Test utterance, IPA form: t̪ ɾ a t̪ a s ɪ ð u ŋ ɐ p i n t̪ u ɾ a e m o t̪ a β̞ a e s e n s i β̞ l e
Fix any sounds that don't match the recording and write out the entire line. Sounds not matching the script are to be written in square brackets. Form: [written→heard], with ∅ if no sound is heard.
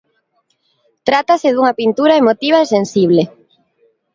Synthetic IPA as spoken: t̪ ɾ a t̪ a s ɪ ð u ŋ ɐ p i n t̪ u ɾ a e m o t̪ [a→i] β̞ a e s e n s i β̞ l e